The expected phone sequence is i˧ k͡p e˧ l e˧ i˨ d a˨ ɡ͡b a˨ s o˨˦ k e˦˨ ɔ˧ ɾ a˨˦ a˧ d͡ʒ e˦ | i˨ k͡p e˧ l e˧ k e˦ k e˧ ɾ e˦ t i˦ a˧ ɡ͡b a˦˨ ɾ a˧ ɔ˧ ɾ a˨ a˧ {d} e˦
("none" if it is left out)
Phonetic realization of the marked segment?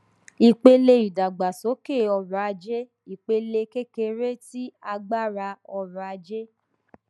d͡ʒ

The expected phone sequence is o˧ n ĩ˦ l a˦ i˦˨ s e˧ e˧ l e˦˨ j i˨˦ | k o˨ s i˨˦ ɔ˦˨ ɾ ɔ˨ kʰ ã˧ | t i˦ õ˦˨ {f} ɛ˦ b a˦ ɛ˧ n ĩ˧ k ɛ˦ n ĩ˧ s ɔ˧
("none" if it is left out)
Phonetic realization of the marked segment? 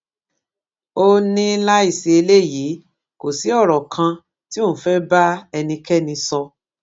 f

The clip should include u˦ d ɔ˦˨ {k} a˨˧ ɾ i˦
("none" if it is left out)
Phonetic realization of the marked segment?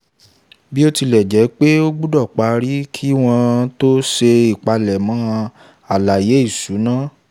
k͡p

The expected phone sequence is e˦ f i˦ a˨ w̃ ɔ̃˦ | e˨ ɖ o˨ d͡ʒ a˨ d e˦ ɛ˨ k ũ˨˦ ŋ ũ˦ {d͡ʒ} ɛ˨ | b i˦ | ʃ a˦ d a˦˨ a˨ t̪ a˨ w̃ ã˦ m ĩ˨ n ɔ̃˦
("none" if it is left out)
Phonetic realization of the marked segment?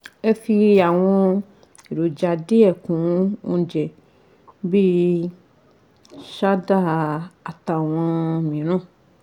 d͡ʒ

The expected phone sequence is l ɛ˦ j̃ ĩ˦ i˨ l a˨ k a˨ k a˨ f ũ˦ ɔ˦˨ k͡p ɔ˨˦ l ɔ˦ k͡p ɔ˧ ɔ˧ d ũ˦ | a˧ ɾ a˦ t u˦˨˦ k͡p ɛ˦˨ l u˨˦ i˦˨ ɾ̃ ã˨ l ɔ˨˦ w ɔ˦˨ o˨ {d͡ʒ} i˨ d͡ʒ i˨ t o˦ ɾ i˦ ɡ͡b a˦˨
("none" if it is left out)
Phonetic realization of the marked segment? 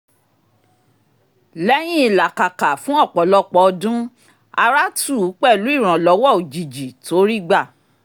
d͡ʒ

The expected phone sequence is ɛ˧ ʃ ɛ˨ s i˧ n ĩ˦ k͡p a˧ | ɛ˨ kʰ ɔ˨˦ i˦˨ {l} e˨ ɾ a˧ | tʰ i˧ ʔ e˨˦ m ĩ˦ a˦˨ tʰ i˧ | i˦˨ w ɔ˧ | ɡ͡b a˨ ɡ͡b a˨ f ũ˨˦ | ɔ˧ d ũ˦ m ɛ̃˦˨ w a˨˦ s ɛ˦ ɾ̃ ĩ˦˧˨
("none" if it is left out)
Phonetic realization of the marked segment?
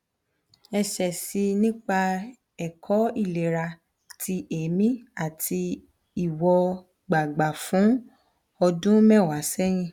l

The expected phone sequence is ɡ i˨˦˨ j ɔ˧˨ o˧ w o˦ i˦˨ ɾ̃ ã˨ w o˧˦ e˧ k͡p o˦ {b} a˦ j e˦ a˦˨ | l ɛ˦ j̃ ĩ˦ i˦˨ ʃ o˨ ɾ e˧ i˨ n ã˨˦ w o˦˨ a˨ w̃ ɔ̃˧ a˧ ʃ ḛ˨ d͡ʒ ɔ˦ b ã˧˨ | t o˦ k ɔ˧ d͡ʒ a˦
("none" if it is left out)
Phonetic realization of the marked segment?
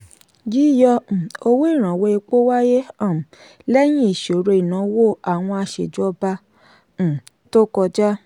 w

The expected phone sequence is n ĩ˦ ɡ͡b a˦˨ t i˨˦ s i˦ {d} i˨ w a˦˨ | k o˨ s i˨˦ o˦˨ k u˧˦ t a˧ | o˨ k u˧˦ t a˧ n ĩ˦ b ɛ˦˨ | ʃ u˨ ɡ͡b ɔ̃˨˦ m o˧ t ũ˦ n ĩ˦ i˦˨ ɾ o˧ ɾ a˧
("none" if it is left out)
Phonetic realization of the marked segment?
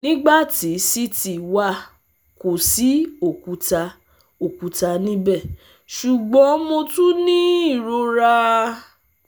t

